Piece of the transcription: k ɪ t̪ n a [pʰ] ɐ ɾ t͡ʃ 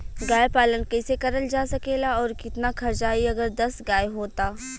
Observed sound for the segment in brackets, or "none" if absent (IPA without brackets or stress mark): kʰ